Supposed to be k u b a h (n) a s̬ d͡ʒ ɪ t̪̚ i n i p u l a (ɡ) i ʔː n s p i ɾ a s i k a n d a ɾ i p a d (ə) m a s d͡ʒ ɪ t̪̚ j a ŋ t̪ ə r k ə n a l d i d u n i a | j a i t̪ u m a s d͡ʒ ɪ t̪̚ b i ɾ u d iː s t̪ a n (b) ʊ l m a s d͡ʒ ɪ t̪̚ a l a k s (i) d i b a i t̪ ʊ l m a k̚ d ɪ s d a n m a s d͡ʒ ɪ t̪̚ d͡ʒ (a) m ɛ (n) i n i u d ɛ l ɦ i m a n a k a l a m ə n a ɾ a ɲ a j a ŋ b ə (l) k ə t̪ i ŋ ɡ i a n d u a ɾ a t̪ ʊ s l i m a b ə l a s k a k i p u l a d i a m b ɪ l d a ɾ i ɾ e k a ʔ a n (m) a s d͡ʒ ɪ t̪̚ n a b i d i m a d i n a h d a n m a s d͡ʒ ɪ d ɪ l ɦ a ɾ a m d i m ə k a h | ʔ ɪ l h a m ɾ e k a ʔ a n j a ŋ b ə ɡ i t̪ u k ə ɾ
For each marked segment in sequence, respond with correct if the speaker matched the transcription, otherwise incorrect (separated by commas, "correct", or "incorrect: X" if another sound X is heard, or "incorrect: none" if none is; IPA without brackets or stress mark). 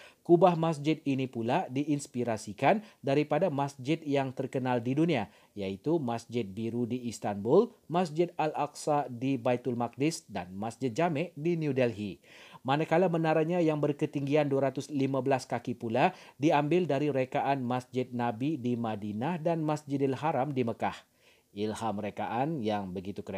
incorrect: m, incorrect: d, incorrect: a, correct, incorrect: a, correct, incorrect: d, incorrect: r, correct